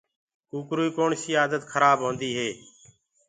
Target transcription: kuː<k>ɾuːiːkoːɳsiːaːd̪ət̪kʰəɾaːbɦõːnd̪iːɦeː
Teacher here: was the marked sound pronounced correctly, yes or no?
yes